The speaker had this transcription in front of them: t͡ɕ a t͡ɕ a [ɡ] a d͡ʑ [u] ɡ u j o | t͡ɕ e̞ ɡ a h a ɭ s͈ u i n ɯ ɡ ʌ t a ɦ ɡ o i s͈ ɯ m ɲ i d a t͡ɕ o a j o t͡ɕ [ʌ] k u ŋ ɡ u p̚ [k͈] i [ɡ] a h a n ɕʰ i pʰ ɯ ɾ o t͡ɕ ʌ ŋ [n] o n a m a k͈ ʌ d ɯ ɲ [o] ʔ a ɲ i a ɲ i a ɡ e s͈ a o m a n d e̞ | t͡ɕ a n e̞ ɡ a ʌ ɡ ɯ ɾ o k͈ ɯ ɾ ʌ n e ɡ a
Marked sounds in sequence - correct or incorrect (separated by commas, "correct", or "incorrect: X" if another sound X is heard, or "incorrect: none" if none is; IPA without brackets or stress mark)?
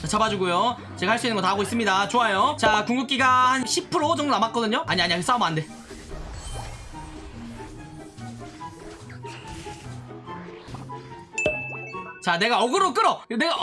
incorrect: b, correct, incorrect: a, correct, correct, incorrect: d, correct